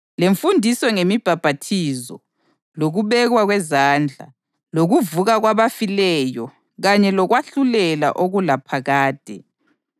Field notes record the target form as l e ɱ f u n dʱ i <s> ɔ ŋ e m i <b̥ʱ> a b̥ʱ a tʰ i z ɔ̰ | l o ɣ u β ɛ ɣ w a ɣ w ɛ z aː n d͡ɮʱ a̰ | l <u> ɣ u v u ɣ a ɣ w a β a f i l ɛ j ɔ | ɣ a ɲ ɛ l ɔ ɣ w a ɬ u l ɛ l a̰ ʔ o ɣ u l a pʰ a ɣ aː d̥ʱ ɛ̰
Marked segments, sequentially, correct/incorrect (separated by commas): correct, correct, incorrect